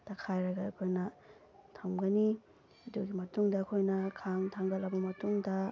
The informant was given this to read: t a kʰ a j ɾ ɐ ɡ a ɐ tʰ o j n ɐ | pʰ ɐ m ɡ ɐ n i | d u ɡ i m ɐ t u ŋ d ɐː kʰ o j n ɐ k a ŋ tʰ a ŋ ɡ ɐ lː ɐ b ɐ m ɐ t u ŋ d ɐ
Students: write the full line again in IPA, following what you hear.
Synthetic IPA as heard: t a kʰ a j ɾ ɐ ɡ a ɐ kʰ o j n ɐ | tʰ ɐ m ɡ ɐ n i | d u ɡ i m ɐ t u ŋ d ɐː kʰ o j n ɐ kʰ a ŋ tʰ a ŋ ɡ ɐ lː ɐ b ɐ m ɐ t u ŋ d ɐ